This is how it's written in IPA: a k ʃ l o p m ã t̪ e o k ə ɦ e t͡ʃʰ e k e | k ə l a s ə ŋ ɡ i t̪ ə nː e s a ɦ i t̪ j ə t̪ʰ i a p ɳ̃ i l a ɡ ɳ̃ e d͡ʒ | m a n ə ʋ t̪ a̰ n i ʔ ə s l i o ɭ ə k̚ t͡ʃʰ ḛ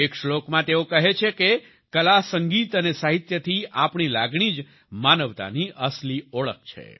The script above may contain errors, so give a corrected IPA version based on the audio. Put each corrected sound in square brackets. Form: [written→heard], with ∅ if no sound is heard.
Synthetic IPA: [a→e] k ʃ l o [p→k] m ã t̪ e o k ə ɦ e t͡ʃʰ e k e | k ə l a s ə ŋ ɡ i t̪ ə [nː→n] e s a ɦ i t̪ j ə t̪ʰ i a p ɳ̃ i l a ɡ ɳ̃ [e→i] d͡ʒ | m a n ə ʋ t̪ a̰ n i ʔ ə s l i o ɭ ə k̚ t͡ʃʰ ḛ